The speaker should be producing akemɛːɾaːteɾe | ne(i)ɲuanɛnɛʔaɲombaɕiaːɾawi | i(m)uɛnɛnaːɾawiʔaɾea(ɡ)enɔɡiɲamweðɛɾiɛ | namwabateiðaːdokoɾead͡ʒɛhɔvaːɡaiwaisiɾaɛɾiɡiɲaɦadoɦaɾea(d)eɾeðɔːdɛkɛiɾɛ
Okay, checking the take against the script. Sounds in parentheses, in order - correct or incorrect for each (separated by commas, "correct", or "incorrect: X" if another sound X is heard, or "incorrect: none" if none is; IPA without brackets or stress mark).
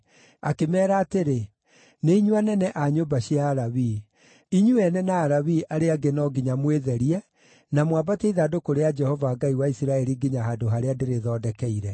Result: correct, incorrect: ɲ, correct, correct